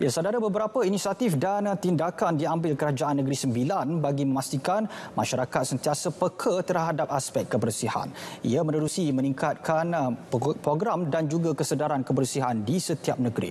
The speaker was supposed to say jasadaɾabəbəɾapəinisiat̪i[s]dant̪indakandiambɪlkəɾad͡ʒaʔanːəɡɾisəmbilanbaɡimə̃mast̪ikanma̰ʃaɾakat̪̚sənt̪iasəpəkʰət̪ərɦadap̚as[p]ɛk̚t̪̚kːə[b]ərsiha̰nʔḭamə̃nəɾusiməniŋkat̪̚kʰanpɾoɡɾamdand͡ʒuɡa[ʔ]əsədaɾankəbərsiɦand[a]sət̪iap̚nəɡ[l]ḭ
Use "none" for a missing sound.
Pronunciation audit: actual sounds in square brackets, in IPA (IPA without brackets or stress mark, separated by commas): f, p, b, k, i, ɾ